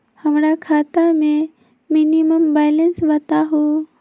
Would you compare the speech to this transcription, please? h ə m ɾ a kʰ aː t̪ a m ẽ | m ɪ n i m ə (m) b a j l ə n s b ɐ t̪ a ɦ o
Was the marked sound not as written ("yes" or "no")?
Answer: no